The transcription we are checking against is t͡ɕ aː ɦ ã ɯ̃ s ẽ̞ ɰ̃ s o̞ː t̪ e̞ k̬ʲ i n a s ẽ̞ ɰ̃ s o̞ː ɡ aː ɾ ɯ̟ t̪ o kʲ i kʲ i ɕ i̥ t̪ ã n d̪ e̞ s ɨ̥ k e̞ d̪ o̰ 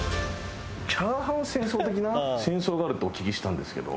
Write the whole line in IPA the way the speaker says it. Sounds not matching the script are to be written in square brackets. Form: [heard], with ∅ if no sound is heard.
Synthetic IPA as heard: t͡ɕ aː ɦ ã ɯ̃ s ẽ̞ ɰ̃ s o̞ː t̪ e̞ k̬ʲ i n a s ẽ̞ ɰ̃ s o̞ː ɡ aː ɾ ɯ̟ t̪ o kʲ i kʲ i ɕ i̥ t̪ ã n d̪ e̞ s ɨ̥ k e̞ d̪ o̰